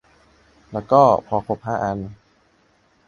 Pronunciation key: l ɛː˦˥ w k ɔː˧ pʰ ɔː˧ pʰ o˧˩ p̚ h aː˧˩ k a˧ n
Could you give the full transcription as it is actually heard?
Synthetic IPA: l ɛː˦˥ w k ɔː˥˩ pʰ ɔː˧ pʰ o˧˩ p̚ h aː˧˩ ʔ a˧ n

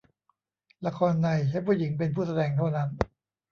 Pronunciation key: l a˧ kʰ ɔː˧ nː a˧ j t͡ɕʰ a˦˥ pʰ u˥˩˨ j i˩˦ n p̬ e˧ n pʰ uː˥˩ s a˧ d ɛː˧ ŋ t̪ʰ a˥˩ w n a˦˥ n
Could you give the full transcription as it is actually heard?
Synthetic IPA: l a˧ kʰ ɔː˧ nː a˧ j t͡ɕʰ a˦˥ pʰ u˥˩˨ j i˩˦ ŋ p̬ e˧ n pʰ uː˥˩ s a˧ d ɛː˧ ŋ t̪ʰ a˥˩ w n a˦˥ n

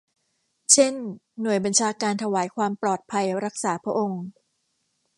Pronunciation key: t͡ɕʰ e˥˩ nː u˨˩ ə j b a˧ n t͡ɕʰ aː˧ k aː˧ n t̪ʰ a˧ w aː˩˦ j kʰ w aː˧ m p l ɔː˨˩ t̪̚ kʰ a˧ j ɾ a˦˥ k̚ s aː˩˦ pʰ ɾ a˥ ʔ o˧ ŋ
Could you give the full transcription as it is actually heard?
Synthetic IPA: t͡ɕʰ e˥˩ nː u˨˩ ə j b a˧ n t͡ɕʰ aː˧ k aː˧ n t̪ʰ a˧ w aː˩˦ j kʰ w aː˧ m p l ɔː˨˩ t̪̚ pʰ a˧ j ɾ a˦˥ k̚ s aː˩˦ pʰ ɾ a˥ ʔ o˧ ŋ

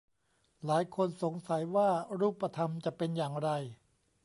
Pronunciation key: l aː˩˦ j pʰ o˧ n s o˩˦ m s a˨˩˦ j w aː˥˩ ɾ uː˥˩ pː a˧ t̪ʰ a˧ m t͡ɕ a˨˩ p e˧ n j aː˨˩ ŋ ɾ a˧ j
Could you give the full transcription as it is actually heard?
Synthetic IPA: l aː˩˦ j kʰ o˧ n s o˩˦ ŋ s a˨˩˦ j w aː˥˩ ɾ uː˥˩ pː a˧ t̪ʰ a˧ m t͡ɕ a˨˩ p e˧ n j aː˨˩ ŋ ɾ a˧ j

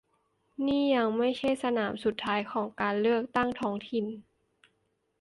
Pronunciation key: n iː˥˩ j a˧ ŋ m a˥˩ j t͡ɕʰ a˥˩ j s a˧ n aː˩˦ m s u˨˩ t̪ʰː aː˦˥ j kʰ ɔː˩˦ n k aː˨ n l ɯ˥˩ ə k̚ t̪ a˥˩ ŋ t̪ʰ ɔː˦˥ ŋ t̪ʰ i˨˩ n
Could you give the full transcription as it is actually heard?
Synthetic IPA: n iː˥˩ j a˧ ŋ m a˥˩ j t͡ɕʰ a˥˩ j s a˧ n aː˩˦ m s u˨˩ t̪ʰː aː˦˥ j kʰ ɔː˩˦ ŋ k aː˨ n l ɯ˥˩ ə k̚ t̪ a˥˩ ŋ t̪ʰ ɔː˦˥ ŋ t̪ʰ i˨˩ n

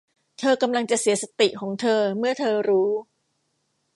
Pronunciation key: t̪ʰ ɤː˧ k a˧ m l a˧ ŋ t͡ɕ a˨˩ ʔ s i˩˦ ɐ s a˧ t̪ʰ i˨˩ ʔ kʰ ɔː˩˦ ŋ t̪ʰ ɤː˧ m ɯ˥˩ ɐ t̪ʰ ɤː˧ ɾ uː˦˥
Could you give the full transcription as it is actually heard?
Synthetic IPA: t̪ʰ ɤː˧ k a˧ m l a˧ ŋ t͡ɕ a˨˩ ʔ s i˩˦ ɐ s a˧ t̪ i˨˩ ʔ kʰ ɔː˩˦ ŋ t̪ʰ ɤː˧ m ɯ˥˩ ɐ t̪ʰ ɤː˧ ɾ uː˦˥

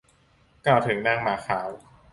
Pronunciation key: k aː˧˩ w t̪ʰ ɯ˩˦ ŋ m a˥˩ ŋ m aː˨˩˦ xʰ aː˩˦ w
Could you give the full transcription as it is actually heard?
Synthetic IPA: k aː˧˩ w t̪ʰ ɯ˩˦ ŋ n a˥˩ ŋ m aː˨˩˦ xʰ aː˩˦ w

